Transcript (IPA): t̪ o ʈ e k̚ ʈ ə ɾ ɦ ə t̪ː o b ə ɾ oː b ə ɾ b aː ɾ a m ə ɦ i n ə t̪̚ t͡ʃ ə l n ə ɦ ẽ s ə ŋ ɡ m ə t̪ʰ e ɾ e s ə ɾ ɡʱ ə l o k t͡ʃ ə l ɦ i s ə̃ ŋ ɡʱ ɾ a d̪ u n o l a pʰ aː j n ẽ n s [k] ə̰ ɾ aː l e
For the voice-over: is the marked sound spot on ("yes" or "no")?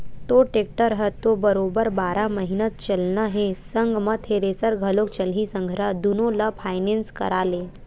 yes